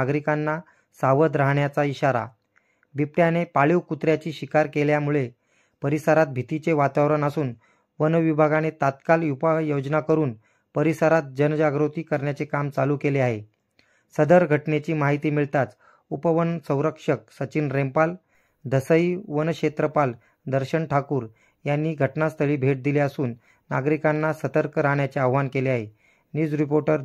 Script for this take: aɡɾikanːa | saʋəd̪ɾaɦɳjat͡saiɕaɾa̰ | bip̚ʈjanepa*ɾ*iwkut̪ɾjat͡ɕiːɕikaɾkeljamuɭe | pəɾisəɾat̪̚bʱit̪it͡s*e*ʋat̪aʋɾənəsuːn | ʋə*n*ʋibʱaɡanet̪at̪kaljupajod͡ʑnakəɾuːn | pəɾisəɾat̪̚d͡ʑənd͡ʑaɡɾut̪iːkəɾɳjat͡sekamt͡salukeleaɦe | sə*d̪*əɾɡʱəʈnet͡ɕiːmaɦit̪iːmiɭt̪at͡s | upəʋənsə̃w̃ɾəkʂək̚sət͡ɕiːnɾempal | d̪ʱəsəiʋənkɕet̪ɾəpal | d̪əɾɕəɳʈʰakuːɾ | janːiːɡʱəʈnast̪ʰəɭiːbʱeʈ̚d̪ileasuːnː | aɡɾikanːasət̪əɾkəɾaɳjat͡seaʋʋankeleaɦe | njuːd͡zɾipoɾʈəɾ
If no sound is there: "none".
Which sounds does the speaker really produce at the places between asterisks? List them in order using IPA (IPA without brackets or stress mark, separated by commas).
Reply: ɭ, e, n, d̪